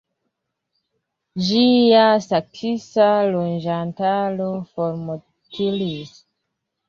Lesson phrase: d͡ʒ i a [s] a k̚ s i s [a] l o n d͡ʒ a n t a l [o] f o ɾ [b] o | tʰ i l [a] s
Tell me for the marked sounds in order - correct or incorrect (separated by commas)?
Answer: correct, correct, correct, incorrect, incorrect